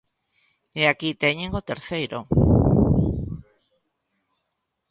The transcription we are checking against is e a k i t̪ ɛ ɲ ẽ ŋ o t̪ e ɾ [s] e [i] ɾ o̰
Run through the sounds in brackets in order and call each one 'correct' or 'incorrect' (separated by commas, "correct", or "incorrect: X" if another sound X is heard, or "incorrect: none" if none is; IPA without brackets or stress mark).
incorrect: θ, incorrect: j